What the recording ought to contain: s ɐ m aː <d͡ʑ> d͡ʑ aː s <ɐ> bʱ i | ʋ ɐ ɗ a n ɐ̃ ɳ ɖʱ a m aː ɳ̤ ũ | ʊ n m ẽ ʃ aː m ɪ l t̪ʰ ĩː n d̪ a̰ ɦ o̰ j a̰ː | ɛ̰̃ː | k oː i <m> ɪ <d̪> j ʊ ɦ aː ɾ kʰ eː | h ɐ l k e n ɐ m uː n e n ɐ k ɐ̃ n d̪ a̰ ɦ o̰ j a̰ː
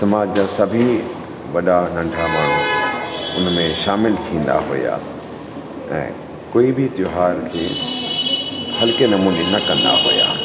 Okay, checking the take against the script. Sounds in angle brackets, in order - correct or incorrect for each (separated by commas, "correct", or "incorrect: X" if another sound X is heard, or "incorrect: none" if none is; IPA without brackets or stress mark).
correct, correct, incorrect: b, incorrect: t̪